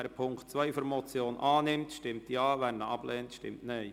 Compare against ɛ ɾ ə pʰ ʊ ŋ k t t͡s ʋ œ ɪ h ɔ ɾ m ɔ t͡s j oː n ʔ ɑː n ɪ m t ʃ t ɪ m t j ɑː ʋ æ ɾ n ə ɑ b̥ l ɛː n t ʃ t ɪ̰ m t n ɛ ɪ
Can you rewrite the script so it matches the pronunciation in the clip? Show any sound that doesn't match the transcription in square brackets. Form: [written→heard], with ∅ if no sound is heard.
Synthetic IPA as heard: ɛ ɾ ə pʰ ʊ ŋ k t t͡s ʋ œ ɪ [h→f] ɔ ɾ m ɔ t͡s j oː n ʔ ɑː n ɪ m t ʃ t ɪ m t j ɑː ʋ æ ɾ n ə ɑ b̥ l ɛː n t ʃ t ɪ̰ m t n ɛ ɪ

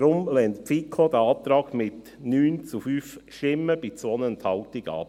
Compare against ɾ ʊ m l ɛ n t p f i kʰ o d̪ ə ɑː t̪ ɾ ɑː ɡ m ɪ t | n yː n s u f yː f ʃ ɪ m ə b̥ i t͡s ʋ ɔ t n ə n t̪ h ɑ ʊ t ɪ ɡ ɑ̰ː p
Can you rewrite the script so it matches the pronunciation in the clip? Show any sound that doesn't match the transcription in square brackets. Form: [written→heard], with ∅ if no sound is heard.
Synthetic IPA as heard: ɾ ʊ m l ɛ n t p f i kʰ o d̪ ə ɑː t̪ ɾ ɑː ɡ m ɪ t | n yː n [s→t͡s] u f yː f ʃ ɪ m ə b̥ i t͡s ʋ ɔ [t→∅] n ə n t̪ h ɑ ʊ t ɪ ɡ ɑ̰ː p

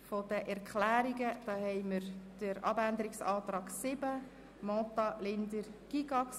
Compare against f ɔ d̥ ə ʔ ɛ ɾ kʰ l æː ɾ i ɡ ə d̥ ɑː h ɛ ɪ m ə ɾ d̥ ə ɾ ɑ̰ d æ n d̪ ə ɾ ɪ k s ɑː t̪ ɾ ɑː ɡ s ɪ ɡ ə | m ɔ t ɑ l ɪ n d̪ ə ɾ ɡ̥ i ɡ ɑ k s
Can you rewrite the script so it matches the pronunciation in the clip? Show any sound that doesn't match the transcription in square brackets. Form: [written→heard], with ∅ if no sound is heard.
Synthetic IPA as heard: f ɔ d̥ ə ʔ ɛ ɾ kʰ l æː ɾ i ɡ ə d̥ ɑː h ɛ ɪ m ə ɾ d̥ ə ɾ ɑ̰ [d→b] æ n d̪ ə ɾ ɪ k s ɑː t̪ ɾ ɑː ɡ s ɪ [ɡ→b] ə | m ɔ t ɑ l ɪ n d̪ ə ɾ ɡ̥ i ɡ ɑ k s

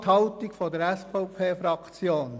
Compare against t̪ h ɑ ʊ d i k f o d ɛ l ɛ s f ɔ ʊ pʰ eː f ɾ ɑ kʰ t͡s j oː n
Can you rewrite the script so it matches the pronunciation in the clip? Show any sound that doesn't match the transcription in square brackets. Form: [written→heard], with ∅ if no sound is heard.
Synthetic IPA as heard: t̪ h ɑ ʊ [d→t] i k f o d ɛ [l→ɾ] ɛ s f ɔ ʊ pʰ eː f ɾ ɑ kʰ t͡s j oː n

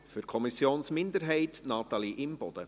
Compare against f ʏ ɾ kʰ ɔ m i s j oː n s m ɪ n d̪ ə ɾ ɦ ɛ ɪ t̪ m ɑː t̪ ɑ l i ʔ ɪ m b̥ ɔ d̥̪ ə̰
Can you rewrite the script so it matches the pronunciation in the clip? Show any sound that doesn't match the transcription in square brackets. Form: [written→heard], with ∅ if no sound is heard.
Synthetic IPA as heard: f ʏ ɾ kʰ ɔ m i s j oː n s m ɪ n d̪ ə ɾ ɦ ɛ ɪ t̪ [m→n] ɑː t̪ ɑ l i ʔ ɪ m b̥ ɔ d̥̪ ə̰

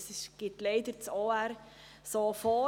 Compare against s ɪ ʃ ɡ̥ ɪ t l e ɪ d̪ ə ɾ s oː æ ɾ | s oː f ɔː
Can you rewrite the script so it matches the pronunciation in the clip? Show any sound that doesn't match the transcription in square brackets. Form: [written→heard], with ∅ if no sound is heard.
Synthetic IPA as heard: s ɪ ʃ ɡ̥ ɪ t l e ɪ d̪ ə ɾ [s→t͡s] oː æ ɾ | s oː f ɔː

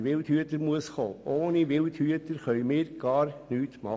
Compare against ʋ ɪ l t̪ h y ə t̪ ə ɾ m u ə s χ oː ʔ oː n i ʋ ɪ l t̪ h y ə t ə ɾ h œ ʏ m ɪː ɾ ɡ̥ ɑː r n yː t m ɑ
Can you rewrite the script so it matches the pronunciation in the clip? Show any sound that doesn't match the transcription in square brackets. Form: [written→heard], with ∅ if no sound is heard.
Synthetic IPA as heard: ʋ ɪ l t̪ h y ə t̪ ə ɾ m u ə s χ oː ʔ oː n i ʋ ɪ l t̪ h y ə t ə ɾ [h→χ] œ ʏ m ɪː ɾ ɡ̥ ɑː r n yː t m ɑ

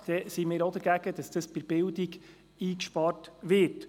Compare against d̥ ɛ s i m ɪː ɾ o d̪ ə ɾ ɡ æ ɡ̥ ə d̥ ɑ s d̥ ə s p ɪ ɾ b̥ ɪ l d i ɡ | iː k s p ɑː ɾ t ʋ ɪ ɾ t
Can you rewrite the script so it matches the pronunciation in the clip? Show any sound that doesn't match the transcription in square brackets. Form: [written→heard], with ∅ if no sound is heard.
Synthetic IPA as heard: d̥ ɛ s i m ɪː ɾ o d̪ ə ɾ ɡ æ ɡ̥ ə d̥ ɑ s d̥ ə s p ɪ ɾ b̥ ɪ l d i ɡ | iː k [s→ʃ] p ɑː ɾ t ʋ ɪ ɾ t

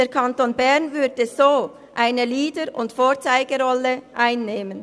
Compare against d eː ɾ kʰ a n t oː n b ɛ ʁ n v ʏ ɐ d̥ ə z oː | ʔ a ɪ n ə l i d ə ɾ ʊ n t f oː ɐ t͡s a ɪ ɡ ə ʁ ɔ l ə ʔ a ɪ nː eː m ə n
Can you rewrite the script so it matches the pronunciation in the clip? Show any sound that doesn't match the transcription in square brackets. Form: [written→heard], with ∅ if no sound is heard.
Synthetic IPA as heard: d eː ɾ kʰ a n t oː n b ɛ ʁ n v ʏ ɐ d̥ ə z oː | ʔ a ɪ n ə l [i→iː] d ə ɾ ʊ n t f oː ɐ t͡s a ɪ ɡ ə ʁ ɔ l ə ʔ a ɪ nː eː m ə n

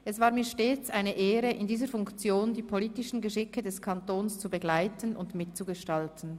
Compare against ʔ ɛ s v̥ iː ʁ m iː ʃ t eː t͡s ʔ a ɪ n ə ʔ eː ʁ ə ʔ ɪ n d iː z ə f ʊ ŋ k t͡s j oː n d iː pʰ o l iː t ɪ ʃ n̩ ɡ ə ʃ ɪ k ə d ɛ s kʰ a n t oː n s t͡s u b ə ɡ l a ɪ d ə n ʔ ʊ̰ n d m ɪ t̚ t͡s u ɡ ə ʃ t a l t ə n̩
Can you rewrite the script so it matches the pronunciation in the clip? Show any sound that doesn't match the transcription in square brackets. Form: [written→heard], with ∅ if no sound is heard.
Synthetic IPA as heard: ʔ ɛ s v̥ [iː→aː] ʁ m iː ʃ t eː t͡s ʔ a ɪ n ə ʔ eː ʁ ə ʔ ɪ n d iː z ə f ʊ ŋ k t͡s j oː n d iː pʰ o l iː t ɪ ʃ n̩ ɡ ə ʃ ɪ k ə d ɛ s kʰ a n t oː n s t͡s u b ə ɡ l a ɪ [d→t] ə n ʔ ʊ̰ n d m ɪ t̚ t͡s u ɡ ə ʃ t a l t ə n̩

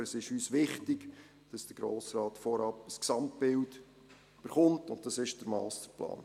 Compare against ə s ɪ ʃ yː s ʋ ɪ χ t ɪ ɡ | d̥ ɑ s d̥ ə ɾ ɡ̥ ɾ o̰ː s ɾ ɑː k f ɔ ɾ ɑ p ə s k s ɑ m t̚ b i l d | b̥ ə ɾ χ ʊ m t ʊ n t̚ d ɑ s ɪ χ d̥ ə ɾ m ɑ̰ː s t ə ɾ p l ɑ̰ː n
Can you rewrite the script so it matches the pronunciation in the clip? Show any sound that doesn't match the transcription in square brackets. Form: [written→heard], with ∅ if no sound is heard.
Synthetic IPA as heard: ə s ɪ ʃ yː s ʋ ɪ χ t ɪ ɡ | d̥ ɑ s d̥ ə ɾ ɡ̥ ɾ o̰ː s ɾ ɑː [k→t] f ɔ ɾ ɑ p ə s k s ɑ m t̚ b [i→ɪ] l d | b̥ ə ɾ χ ʊ m t ʊ n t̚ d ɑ s ɪ [χ→ʃ] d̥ ə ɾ m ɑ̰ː s t ə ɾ p l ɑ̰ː n

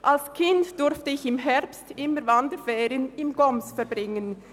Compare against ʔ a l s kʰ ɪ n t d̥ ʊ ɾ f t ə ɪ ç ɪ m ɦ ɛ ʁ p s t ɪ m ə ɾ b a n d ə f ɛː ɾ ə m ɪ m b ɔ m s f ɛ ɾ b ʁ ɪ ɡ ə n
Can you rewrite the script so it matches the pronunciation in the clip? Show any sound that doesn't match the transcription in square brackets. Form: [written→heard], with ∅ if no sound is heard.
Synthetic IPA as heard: ʔ a l s kʰ ɪ n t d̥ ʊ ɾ f t ə ɪ ç ɪ m ɦ ɛ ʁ p s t ɪ m ə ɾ [b→v] a n d ə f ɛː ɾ ə [m→n] ɪ m [b→ɡ] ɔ m s f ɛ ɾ b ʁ ɪ [ɡ→ŋ] ə n

